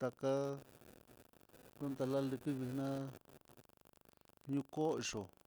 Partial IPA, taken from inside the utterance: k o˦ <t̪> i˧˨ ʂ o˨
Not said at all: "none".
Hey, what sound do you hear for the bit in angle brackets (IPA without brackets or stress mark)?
none